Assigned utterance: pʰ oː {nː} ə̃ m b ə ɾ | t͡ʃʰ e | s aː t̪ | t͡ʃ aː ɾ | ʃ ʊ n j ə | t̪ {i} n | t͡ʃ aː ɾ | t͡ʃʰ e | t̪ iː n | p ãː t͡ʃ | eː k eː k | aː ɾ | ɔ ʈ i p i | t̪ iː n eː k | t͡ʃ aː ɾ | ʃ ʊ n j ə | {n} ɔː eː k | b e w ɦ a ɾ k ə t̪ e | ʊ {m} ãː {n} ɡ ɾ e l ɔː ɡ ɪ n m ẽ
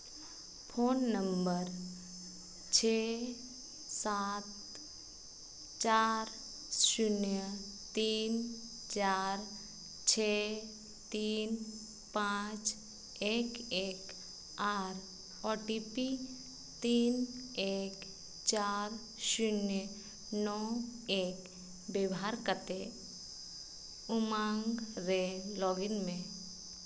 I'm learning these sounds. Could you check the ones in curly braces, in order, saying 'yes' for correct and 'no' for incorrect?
yes, no, yes, yes, no

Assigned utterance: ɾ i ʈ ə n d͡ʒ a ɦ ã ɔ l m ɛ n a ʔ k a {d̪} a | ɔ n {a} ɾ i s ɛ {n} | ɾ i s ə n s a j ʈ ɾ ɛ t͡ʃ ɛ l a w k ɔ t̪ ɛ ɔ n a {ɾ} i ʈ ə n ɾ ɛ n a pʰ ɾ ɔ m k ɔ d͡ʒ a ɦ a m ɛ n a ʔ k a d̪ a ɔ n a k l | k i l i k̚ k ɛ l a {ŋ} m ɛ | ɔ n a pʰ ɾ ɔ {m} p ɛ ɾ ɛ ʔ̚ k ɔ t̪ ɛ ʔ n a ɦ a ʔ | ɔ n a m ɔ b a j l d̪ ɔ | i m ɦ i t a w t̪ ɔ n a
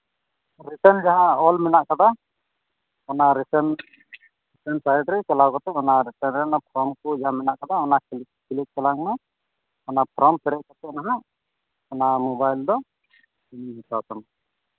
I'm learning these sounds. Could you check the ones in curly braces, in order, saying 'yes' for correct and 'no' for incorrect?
yes, yes, yes, yes, yes, yes

